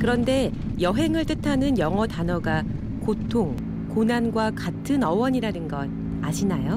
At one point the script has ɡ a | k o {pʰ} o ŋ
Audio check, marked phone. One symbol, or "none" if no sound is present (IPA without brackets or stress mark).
tʰ